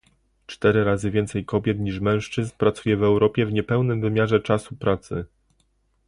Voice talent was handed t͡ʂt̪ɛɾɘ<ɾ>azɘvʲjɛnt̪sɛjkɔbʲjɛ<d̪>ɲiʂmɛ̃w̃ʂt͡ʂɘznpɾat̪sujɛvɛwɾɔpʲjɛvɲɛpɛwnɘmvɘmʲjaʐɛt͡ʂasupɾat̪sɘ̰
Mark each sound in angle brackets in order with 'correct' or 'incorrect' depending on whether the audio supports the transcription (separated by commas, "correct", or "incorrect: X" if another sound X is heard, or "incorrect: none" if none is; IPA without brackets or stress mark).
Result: correct, incorrect: t̪